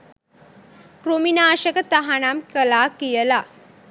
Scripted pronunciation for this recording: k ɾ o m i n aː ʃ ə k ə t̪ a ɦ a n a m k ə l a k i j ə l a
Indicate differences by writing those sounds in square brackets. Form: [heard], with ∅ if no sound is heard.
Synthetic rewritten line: k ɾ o m i n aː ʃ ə k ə t̪ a ɦ a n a m k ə l a k i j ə l a